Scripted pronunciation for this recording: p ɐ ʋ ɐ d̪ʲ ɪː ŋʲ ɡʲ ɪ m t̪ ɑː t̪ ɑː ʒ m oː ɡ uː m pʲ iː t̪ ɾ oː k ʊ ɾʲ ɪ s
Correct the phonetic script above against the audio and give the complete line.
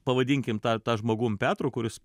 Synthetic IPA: p ɐ ʋ ɐ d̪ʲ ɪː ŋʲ kʲ ɪ m t̪ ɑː t̪ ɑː ʒ m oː ɡ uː m pʲ æː t̪ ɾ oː k ʊ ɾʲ ɪ s